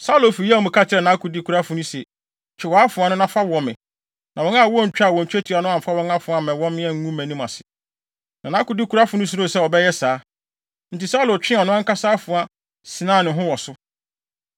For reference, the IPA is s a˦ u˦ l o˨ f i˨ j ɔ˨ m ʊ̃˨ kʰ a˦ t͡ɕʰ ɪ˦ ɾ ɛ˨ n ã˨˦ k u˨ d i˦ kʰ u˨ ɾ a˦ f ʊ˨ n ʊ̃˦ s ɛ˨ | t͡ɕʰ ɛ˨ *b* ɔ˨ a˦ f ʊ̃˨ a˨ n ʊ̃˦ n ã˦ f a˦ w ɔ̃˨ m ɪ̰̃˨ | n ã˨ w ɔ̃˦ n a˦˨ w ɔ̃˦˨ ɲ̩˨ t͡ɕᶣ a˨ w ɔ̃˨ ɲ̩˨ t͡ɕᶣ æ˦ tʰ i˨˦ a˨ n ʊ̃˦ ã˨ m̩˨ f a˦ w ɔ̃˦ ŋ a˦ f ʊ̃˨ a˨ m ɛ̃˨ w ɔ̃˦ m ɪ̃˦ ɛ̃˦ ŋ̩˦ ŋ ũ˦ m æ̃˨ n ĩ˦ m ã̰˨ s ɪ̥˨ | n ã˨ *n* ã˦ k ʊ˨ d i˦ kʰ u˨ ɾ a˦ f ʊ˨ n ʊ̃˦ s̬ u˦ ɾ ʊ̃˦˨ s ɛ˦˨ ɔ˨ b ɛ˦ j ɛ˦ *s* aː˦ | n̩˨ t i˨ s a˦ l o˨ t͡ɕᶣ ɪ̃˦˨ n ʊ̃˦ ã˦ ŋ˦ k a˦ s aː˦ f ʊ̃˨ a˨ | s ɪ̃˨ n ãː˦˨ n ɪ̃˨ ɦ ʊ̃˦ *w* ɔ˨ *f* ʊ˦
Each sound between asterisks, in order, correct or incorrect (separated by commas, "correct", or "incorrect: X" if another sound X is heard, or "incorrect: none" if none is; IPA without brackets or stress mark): incorrect: w, correct, correct, correct, incorrect: s